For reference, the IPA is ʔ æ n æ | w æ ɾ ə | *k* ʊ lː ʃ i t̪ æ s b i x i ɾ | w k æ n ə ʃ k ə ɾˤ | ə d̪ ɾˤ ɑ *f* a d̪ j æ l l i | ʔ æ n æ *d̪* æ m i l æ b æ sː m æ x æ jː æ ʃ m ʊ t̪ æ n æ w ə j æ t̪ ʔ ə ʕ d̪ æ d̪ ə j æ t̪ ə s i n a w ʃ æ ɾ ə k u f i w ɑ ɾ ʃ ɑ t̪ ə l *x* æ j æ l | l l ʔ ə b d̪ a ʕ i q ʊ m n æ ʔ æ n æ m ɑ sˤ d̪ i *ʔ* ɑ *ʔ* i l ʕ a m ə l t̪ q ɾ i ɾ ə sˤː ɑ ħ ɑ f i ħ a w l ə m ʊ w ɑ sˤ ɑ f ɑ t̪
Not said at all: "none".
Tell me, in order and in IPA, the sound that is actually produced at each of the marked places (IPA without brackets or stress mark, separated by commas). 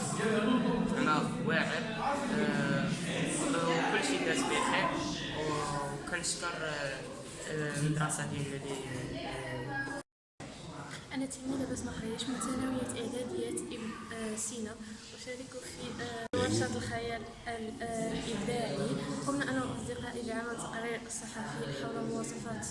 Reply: k, s, t̪, x, q, ʔ